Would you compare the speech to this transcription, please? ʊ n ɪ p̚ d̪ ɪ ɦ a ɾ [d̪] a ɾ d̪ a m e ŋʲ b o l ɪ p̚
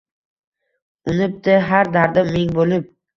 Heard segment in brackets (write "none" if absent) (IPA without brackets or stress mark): d̪